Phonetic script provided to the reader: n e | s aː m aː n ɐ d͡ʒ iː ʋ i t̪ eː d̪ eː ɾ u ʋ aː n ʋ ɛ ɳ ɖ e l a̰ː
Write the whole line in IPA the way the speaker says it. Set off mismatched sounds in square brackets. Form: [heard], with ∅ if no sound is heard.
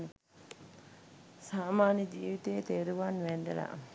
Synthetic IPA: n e | s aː m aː n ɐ d͡ʒ iː ʋ i t̪ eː [t̪] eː ɾ u ʋ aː n ʋ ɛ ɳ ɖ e l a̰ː